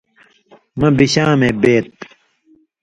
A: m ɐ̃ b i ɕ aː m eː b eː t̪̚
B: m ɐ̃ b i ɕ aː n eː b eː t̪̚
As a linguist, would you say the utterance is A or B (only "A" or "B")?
A